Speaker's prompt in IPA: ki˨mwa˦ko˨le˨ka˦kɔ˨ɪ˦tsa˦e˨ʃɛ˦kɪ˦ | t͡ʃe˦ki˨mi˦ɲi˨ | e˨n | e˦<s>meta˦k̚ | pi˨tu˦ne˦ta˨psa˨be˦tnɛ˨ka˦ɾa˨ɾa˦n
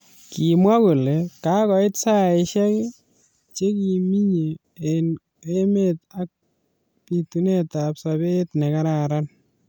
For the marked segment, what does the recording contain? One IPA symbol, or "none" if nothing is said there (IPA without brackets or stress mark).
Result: none